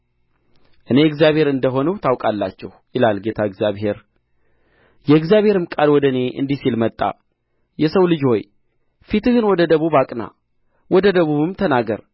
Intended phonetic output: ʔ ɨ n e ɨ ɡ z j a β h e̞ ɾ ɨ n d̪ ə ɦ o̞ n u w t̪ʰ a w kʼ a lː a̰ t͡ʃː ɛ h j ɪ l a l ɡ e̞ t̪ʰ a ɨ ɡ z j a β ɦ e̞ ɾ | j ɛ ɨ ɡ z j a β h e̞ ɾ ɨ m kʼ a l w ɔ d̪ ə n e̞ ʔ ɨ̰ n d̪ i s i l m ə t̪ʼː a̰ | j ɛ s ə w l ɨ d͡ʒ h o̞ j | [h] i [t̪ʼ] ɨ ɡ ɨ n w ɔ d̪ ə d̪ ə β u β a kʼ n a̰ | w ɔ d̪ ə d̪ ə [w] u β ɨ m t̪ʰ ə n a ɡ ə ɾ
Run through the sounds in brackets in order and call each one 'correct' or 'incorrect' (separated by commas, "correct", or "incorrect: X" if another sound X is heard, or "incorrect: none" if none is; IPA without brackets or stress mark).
incorrect: f, incorrect: t̪, incorrect: β